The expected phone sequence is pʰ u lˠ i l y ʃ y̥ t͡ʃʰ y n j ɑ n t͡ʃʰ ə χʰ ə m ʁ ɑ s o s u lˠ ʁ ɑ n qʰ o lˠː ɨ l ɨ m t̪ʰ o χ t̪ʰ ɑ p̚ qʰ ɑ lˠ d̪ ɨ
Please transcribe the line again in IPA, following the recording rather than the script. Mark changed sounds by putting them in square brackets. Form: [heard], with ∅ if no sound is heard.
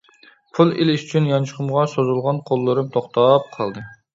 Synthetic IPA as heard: pʰ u lˠ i l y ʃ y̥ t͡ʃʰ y n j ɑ n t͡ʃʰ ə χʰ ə m ʁ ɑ s o [z] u lˠ ʁ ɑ n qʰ o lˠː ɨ [ɾ] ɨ m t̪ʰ o χ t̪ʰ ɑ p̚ qʰ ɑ lˠ d̪ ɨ